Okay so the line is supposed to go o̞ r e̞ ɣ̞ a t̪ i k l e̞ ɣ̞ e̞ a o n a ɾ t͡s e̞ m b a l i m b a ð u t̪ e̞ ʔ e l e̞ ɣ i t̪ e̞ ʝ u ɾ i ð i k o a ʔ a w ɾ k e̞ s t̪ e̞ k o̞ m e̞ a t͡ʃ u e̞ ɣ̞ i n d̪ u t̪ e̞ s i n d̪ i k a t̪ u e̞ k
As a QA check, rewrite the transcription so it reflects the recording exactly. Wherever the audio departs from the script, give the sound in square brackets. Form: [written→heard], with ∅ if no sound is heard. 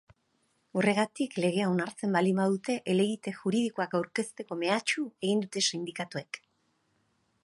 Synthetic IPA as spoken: o̞ r e̞ ɣ̞ a t̪ i k l e̞ ɣ̞ e̞ a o n a ɾ t͡s e̞ m b a l i m b a ð u t̪ e̞ ʔ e l e̞ ɣ i t̪ e̞ ʝ u ɾ i ð i k o a [ʔ→k] a w ɾ k e̞ s t̪ e̞ k o̞ m e̞ a t͡ʃ u e̞ ɣ̞ i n d̪ u t̪ e̞ s i n d̪ i k a t̪ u e̞ k